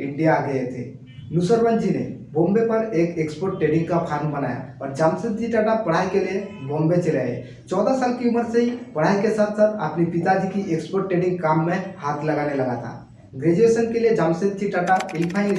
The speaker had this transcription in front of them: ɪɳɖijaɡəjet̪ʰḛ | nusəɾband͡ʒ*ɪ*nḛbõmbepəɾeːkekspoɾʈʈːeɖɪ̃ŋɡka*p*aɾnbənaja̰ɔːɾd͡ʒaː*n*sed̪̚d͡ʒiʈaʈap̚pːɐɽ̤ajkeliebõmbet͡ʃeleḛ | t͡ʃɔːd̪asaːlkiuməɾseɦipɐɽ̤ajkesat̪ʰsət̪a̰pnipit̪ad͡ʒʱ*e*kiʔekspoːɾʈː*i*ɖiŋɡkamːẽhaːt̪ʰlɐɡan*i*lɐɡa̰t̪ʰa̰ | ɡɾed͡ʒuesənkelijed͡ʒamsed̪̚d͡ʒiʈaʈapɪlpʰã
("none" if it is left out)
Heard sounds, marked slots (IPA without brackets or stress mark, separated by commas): i, pʰ, m, i, e, e